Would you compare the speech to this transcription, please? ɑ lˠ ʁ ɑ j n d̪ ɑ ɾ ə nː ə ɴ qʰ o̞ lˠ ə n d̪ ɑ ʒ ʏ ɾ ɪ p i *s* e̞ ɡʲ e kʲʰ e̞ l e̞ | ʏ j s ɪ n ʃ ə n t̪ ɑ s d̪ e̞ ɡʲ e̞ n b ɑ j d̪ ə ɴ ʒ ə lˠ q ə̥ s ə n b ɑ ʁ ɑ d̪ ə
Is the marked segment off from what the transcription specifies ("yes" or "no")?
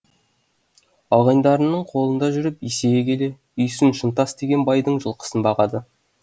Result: no